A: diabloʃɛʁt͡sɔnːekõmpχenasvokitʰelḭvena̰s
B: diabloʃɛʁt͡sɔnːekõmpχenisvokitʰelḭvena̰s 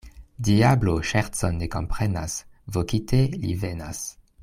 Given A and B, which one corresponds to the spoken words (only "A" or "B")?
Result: A